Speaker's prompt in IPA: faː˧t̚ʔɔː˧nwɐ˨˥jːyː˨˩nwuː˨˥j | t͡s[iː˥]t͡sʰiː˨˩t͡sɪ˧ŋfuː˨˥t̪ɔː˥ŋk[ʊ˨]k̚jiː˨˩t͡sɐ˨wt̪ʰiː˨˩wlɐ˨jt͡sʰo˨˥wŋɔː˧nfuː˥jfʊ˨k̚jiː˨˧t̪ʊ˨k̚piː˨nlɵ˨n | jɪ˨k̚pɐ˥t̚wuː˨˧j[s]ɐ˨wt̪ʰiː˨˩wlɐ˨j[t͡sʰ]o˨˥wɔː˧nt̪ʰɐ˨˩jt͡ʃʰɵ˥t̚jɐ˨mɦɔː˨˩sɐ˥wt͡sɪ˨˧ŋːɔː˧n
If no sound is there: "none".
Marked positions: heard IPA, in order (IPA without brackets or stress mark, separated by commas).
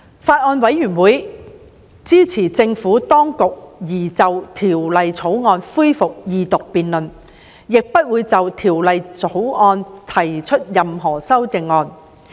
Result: iː˥, ʊ˨, t͡s, t͡s